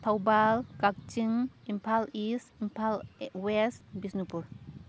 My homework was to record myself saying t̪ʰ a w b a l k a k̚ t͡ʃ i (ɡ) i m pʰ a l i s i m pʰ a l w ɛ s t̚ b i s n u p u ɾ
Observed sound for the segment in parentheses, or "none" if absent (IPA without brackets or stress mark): ŋ